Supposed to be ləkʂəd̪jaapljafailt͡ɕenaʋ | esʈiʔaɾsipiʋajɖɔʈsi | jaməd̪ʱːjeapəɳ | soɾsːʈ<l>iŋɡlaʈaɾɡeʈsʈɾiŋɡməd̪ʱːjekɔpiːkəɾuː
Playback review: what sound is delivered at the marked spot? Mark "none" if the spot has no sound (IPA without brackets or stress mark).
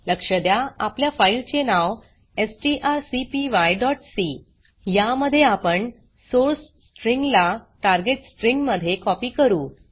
ɾ